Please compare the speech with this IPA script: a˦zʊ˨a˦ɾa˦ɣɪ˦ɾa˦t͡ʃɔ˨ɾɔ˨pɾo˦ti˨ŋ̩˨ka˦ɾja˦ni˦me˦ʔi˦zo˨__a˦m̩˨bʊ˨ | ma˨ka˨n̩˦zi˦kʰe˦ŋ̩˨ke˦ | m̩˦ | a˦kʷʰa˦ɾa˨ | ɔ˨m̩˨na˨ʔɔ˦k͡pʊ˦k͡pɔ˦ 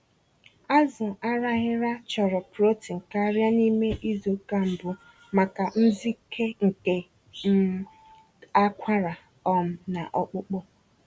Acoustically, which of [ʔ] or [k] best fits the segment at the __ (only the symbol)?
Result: k